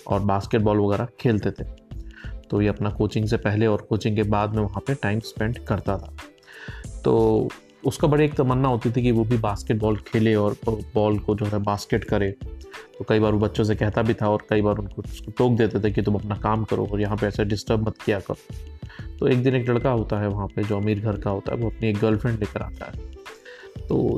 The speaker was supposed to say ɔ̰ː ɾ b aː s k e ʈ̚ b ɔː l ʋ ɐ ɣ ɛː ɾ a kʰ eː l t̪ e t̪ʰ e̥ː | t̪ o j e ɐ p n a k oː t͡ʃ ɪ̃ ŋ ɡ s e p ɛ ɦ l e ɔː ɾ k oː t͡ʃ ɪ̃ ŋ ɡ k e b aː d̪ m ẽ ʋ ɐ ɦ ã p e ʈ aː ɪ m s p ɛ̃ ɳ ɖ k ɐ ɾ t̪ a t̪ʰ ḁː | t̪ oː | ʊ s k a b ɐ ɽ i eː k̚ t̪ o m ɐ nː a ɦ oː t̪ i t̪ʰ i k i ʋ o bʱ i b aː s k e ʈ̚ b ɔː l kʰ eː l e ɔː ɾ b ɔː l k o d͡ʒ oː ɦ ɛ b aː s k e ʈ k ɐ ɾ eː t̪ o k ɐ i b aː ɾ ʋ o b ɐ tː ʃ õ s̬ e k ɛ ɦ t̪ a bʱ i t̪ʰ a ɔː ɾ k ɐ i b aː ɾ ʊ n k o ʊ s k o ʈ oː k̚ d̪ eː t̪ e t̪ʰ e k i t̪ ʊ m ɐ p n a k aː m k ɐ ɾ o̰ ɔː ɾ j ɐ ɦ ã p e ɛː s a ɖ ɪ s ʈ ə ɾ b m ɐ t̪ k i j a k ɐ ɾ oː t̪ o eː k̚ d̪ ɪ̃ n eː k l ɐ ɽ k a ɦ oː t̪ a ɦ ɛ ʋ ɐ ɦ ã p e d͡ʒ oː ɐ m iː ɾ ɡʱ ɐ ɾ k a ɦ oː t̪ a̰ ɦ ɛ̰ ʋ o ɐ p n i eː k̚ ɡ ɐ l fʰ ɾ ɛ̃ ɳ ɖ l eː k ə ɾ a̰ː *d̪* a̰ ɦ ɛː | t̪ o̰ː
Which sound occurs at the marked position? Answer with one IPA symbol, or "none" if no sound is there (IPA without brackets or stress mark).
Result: t̪